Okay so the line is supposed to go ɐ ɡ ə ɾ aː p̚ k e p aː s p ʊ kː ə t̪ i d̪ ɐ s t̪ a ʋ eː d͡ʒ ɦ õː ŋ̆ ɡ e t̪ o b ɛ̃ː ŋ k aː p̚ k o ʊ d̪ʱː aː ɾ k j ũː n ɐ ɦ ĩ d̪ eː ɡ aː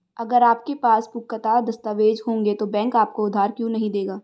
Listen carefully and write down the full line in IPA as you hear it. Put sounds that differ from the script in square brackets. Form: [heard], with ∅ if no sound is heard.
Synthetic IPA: ɐ ɡ ə ɾ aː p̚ k e p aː s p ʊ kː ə t̪ [a] d̪ ɐ s t̪ a ʋ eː d͡ʒ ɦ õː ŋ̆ ɡ e t̪ o b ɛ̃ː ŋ k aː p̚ k o ʊ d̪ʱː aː ɾ k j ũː n ɐ ɦ ĩ d̪ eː ɡ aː